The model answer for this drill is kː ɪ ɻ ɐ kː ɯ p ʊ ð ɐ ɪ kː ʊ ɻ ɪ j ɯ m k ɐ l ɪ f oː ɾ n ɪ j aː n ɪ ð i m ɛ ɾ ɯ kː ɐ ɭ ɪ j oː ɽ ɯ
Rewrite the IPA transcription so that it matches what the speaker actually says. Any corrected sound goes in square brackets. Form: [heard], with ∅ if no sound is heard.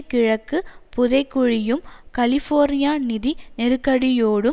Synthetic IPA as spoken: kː ɪ ɻ ɐ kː ɯ p ʊ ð ɐ ɪ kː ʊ ɻ ɪ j ɯ m k ɐ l ɪ f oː ɾ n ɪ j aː n ɪ ð i [n] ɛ ɾ ɯ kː ɐ [ɽ] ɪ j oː ɽ ɯ